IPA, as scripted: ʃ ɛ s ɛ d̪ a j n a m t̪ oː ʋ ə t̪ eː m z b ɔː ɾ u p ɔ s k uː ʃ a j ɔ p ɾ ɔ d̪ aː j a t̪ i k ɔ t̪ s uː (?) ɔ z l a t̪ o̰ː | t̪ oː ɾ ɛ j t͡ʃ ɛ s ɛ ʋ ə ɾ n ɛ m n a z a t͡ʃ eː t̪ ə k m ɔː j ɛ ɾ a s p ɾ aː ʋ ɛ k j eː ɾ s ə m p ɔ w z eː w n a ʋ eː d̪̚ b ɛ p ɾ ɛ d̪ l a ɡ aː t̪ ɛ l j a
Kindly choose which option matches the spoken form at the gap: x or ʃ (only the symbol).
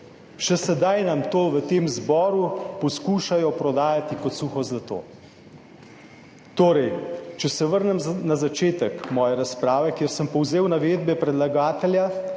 x